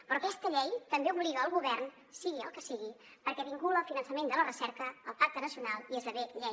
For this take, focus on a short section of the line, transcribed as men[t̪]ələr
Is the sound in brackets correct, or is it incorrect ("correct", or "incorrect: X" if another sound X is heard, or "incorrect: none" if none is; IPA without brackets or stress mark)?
incorrect: d̪